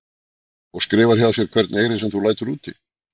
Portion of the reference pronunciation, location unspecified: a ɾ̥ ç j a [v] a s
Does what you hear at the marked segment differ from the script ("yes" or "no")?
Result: yes